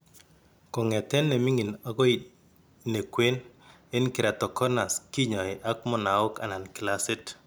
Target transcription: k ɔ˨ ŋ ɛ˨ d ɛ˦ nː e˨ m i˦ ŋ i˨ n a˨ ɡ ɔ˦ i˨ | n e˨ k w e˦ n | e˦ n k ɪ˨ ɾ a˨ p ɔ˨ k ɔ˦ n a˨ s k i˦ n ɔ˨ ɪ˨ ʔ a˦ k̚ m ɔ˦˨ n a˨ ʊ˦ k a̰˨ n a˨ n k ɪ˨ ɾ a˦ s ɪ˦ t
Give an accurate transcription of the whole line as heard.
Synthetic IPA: k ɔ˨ ŋ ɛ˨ t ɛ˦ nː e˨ m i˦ ŋ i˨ n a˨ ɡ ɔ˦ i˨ | n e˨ k w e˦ n | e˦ n k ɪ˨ ɾ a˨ t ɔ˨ k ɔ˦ n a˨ s k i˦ ɲ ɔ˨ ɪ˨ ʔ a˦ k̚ m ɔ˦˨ n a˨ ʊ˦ k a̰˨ n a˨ n k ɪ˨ l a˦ s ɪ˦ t